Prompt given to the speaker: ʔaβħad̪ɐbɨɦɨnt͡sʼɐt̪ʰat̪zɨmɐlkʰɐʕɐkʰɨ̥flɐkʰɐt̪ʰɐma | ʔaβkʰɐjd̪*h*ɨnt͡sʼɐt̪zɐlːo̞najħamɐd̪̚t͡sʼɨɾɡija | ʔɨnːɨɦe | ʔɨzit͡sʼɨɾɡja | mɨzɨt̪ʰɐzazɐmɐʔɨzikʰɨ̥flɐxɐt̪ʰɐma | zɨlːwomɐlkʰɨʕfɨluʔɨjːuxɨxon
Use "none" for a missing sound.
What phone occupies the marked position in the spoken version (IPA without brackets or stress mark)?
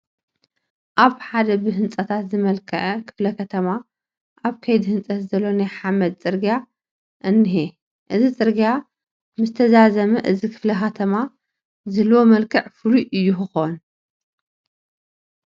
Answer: h